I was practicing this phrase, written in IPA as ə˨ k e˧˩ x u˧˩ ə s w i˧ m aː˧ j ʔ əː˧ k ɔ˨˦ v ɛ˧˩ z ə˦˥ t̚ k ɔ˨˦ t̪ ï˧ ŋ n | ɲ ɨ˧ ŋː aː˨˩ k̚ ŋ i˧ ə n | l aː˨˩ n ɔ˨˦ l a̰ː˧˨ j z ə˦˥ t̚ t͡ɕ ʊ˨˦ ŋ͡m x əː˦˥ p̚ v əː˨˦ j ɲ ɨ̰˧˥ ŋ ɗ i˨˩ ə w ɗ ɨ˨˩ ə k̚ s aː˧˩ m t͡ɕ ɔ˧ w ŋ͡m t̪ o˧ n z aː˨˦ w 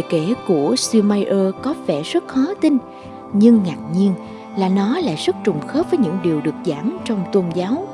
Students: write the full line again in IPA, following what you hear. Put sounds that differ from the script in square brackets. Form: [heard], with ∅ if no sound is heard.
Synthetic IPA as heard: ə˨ k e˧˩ [k] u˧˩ ə s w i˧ m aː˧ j ʔ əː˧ k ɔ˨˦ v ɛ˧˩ z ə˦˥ t̚ [x] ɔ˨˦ t̪ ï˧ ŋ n | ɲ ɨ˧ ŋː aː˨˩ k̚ [ɲ] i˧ ə n | l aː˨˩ n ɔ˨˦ l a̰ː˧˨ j z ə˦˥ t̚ t͡ɕ [ʊ˨˩] ŋ͡m x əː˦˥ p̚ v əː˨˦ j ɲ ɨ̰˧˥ ŋ ɗ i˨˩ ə w ɗ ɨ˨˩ ə k̚ [z] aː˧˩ m t͡ɕ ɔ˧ w ŋ͡m t̪ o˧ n z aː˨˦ w